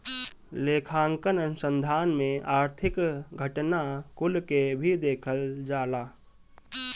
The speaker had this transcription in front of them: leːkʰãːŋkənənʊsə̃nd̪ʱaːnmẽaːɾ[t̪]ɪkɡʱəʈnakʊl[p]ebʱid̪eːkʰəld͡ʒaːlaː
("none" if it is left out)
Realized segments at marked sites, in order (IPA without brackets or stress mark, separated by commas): t̪ʰ, k